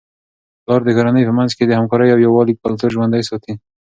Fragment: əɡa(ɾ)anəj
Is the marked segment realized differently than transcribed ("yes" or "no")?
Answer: no